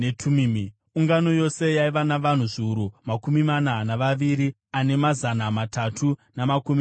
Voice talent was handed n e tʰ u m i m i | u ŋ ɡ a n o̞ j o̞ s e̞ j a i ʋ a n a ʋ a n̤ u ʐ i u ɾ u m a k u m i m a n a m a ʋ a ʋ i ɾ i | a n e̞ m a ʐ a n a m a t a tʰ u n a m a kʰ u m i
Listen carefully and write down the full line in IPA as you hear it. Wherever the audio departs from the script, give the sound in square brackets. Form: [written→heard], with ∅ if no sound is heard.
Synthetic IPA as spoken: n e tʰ u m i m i | u ŋ ɡ a n o̞ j o̞ s e̞ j a i ʋ a n a ʋ a n̤ u ʐ i u ɾ u m a k u m i m a n a [m→n] a ʋ a ʋ i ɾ i | a n e̞ m a [ʐ→z] a n a m a t a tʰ u n a m a [kʰ→k] u m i